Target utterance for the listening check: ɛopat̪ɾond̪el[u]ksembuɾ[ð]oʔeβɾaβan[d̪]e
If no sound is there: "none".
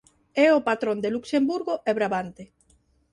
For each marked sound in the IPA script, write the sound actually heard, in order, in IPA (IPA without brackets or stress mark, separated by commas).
u, ɣ, t̪